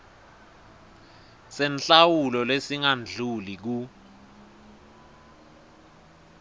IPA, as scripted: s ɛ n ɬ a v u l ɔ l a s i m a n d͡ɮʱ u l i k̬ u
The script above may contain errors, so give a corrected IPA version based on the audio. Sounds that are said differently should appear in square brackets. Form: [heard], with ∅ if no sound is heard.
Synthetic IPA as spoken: s ɛ n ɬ a [w] u l ɔ l [e] s i [ŋ] a n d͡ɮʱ u l i k̬ u